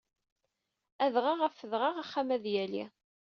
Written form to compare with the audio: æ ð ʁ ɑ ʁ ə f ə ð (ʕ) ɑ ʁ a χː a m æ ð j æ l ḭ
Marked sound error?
yes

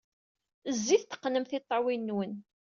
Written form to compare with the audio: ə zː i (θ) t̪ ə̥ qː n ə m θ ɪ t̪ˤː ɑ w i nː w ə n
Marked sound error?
no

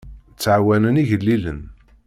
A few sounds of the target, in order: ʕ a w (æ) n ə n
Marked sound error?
no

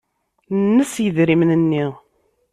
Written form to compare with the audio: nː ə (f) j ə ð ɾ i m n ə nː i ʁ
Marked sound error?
yes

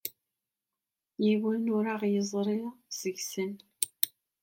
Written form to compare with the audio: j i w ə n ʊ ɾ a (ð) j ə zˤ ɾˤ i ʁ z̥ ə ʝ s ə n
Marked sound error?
yes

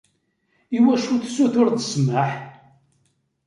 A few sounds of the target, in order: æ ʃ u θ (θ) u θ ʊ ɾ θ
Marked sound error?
yes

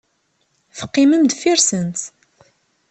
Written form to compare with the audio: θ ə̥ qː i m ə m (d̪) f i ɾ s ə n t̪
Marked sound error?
no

